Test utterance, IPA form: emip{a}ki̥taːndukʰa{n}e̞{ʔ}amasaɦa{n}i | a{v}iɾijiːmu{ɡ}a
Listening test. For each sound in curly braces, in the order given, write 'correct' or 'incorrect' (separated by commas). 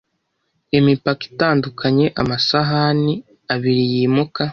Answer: correct, incorrect, correct, correct, incorrect, incorrect